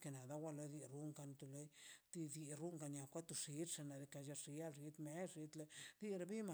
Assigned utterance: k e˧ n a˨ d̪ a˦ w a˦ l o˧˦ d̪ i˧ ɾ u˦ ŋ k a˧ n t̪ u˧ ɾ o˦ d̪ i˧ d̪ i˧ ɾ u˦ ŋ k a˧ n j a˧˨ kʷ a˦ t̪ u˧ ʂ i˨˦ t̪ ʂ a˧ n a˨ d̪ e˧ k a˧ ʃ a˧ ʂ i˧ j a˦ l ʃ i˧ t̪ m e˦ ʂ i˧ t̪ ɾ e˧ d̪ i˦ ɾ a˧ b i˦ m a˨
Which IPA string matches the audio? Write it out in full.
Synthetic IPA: k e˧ n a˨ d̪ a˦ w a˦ l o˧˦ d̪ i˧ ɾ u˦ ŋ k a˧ n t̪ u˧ l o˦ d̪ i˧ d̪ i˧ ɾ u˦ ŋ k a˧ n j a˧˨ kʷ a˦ t̪ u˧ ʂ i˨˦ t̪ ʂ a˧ n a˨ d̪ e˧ k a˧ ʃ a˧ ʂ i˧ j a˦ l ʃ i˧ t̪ m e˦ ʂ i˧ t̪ l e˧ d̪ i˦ ɾ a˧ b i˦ m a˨